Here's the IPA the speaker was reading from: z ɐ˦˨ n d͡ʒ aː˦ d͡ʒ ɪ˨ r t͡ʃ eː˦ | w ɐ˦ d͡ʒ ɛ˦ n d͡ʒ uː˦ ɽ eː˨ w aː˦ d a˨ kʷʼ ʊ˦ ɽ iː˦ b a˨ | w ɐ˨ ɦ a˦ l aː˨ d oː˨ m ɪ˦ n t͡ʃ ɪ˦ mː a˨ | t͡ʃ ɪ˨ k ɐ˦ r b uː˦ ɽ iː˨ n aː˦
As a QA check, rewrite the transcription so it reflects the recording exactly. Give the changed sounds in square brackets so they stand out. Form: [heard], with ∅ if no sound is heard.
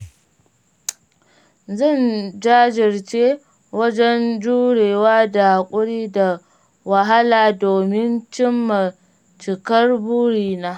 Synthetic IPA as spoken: z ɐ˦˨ n d͡ʒ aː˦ d͡ʒ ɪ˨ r t͡ʃ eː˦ | w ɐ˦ d͡ʒ ɛ˦ n d͡ʒ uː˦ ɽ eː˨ w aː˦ d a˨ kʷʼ ʊ˦ ɽ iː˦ [d] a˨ | w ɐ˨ ɦ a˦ l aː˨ d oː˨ m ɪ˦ n t͡ʃ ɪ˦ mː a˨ | t͡ʃ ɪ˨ k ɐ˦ r b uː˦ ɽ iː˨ n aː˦